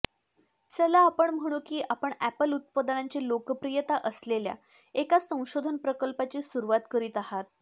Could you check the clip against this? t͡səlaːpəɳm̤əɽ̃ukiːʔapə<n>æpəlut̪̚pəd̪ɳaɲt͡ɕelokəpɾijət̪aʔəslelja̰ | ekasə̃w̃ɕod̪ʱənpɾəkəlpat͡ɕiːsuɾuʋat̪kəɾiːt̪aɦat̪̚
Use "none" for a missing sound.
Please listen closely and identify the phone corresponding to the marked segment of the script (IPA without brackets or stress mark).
ɳ